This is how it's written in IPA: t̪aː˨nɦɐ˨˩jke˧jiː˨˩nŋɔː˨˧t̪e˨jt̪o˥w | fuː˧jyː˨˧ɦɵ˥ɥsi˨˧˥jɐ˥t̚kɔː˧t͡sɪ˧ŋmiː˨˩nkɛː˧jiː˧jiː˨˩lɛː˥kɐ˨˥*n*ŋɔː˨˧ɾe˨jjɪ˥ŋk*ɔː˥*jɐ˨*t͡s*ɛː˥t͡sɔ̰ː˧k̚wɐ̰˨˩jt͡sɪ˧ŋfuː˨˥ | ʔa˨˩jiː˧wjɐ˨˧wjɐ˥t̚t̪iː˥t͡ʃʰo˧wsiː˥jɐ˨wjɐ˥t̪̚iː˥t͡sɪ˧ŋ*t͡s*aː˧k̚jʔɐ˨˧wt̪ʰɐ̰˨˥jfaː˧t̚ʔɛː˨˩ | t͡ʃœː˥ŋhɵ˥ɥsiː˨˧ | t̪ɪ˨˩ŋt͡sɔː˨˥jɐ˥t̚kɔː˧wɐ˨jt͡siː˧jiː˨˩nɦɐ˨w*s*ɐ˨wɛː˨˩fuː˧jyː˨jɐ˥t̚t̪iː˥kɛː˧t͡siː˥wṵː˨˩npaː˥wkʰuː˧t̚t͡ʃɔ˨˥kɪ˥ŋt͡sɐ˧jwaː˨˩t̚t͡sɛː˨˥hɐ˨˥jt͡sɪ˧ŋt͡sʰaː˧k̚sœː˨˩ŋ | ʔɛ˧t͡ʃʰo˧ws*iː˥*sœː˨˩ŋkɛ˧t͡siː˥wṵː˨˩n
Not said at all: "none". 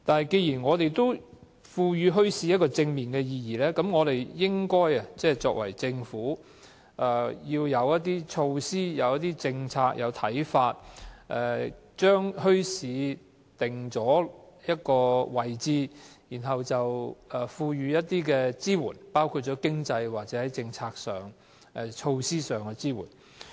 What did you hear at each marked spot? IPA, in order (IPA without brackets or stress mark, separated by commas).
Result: m, ɔː˥, t͡s, t͡sʰ, t͡s, iː˥